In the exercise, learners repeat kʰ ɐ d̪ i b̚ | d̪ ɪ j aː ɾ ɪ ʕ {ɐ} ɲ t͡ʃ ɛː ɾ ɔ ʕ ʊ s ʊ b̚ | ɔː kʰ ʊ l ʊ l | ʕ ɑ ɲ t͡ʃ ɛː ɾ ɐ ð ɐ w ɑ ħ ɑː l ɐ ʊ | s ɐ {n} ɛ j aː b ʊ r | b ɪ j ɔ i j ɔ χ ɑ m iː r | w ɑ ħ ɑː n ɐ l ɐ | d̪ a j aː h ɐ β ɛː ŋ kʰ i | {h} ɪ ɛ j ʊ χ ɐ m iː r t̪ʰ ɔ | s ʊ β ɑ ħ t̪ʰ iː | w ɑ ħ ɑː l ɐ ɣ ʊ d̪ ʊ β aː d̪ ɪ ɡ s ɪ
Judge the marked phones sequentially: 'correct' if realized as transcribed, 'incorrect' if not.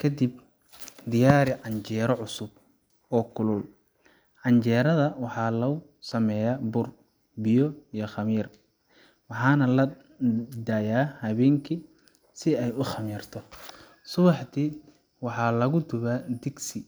incorrect: ɑ, incorrect: m, incorrect: s

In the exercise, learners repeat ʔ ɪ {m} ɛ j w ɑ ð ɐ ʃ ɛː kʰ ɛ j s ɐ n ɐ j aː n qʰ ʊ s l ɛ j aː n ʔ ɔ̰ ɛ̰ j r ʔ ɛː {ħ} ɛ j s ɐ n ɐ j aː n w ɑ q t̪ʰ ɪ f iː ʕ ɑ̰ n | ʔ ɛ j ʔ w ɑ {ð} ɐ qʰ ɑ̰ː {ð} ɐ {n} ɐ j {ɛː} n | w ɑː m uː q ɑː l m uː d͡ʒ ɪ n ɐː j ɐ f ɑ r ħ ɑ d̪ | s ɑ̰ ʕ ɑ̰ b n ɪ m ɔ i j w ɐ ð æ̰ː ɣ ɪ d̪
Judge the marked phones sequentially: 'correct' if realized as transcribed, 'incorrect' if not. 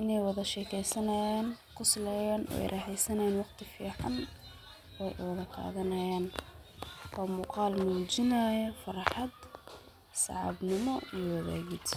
incorrect: n, correct, correct, correct, correct, incorrect: aː

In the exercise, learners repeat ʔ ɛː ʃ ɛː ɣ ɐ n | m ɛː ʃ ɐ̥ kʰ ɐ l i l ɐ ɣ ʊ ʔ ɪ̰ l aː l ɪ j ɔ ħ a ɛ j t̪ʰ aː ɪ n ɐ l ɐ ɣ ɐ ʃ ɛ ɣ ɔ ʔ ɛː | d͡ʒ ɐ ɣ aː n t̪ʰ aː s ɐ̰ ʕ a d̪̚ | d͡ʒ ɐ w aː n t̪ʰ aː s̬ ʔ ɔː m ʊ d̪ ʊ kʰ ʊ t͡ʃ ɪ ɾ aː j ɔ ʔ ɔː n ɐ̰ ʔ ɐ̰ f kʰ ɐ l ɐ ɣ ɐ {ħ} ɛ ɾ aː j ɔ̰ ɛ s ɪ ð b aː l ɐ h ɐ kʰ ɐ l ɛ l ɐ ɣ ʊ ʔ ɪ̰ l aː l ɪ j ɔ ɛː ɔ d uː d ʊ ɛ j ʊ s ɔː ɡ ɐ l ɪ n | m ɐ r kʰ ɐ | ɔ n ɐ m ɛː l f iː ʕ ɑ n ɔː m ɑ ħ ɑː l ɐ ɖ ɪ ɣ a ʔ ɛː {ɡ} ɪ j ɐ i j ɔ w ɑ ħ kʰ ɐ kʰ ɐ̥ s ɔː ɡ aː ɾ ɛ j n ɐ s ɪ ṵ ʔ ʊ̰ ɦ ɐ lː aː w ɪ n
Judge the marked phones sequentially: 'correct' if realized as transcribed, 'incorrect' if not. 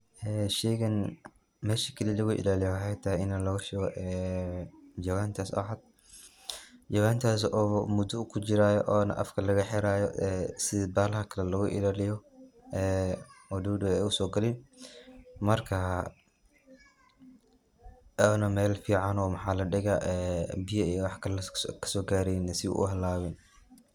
correct, incorrect: b

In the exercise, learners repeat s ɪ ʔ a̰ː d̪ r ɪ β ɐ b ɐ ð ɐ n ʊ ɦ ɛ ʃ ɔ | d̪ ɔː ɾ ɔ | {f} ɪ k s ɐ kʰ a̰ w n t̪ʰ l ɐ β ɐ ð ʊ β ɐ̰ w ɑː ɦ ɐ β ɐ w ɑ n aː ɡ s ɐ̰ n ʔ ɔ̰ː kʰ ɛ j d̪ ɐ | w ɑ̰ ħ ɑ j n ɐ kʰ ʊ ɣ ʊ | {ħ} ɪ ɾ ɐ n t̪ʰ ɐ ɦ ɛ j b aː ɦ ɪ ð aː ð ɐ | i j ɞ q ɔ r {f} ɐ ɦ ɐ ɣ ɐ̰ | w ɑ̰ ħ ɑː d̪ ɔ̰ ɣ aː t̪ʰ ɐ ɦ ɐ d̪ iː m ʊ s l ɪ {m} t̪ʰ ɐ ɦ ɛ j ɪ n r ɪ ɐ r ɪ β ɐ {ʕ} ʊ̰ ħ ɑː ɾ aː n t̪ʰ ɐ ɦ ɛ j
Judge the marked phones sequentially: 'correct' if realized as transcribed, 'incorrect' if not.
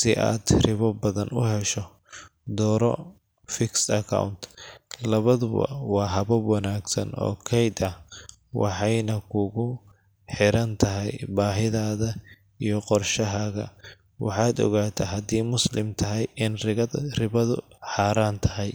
correct, correct, incorrect: ʃ, correct, incorrect: ð

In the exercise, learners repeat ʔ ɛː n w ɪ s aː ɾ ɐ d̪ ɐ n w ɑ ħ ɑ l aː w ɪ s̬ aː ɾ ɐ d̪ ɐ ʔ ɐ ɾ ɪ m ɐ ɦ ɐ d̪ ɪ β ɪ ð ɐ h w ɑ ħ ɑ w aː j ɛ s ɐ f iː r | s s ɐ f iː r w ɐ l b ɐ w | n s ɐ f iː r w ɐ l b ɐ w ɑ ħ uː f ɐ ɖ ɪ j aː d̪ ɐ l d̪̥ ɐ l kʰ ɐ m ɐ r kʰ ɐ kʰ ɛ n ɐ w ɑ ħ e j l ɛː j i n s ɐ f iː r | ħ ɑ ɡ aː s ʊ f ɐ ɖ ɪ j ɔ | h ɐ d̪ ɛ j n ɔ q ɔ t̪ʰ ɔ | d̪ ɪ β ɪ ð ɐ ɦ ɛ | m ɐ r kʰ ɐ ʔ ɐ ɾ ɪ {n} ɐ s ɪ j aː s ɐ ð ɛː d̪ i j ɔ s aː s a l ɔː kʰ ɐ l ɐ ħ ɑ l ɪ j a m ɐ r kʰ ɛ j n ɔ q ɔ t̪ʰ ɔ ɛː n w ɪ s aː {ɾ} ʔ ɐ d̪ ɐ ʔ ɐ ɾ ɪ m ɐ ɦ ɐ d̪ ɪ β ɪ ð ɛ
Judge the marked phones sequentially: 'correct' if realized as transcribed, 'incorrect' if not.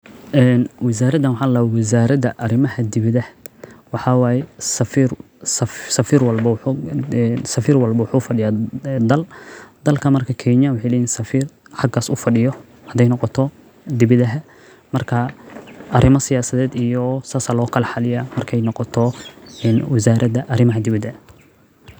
incorrect: m, correct

